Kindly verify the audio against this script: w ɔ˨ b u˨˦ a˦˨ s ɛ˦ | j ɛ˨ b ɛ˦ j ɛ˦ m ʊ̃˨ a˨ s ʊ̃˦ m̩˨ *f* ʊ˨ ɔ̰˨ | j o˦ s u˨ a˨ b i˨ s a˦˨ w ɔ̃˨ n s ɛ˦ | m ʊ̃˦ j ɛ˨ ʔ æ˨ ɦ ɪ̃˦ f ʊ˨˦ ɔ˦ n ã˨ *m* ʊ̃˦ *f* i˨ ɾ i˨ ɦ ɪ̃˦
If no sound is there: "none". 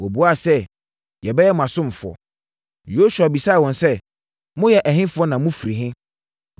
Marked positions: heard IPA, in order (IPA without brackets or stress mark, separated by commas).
f, m, f